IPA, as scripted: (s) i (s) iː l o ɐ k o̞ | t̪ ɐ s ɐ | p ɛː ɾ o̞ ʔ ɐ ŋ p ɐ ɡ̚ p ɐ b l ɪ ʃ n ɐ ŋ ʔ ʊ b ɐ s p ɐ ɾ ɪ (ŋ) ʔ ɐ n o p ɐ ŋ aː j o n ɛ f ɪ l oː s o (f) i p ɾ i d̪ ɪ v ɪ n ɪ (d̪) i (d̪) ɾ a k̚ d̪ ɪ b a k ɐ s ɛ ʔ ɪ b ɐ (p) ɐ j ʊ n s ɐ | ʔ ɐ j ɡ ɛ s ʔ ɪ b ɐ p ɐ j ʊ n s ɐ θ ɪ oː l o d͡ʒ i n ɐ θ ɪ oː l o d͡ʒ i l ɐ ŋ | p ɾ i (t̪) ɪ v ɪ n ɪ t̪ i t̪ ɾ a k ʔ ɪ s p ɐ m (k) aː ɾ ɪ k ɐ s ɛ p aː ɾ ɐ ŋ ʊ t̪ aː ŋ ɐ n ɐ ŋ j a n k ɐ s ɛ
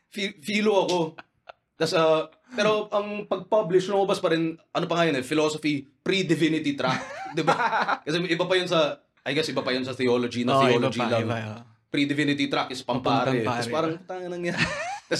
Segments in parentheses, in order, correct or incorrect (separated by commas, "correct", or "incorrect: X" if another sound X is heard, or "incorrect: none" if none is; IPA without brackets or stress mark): incorrect: f, incorrect: f, incorrect: n, correct, incorrect: t̪, incorrect: t̪, correct, incorrect: d̪, incorrect: p